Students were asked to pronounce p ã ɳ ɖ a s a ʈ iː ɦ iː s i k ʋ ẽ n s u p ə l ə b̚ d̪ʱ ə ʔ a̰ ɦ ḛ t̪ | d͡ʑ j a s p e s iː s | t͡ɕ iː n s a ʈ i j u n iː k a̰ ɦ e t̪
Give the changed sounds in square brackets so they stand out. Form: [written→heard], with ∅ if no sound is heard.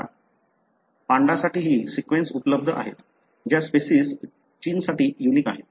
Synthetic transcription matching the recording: p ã ɳ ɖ a s a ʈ iː ɦ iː s i k ʋ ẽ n s u p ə l ə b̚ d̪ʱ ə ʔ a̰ ɦ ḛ t̪ | d͡ʑ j a s p e s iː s | t͡ɕ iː n s a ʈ [i→iː] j u n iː k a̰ ɦ e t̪